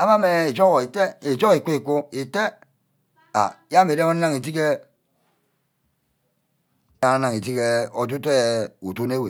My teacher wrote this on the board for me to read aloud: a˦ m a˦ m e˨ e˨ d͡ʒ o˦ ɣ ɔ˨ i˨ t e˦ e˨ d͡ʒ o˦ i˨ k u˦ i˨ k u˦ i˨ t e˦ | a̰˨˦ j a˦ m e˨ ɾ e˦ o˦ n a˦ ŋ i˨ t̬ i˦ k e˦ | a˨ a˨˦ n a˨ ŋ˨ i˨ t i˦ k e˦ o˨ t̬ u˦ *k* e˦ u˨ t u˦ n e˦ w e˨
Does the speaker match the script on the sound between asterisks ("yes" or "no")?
no